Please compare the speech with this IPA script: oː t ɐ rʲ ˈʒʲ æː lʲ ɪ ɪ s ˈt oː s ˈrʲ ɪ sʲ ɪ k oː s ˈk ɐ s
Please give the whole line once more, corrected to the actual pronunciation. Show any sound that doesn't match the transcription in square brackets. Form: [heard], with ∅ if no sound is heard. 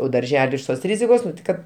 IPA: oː [d] ɐ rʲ ˈʒʲ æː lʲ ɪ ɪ [ʃ] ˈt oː s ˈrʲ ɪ [zʲ] ɪ k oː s ˈk ɐ [t]